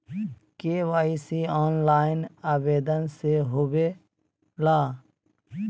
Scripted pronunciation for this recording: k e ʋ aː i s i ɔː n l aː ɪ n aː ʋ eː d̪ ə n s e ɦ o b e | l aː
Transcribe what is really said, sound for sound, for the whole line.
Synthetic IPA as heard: k e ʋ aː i s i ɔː n l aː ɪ n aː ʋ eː d̪ ə n s e ɦ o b e | l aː